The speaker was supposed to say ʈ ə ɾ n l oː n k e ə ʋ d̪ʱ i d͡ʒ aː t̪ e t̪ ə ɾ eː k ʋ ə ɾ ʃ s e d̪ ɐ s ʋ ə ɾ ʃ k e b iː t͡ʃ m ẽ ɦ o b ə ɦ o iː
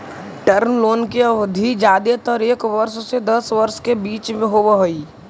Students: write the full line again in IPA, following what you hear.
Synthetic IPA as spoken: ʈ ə ɾ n l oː n k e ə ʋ d̪ʱ i d͡ʒ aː d̪ e t̪ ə ɾ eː k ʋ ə ɾ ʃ s e d̪ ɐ s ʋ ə ɾ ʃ k e b iː t͡ʃ m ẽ ɦ o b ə ɦ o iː